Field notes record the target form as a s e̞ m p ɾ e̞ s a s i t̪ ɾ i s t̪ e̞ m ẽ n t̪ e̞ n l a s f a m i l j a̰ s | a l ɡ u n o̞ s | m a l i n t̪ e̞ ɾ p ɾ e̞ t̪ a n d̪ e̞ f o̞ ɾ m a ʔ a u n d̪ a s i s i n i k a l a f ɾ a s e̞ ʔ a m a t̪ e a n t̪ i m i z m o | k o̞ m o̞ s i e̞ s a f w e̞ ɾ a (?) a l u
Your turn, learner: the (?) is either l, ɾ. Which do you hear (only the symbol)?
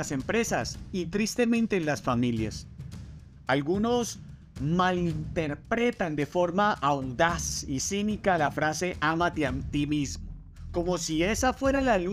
l